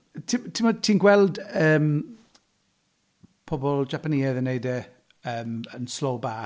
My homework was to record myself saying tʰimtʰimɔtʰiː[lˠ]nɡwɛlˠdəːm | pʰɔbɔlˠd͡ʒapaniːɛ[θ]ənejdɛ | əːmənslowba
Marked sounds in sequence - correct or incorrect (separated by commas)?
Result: incorrect, incorrect